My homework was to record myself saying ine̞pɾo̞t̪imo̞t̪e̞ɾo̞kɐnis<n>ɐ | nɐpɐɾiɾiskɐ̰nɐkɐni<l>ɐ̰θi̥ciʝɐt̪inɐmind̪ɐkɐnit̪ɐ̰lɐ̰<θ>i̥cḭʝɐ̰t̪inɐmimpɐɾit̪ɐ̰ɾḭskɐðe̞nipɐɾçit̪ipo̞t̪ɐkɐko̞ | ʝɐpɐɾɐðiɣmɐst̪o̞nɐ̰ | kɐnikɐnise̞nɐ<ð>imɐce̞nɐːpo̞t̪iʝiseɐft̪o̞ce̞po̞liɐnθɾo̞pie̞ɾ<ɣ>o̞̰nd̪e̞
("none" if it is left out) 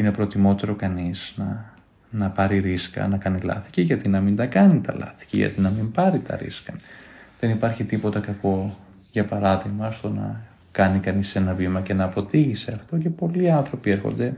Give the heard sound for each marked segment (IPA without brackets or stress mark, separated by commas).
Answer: n, l, θ, v, x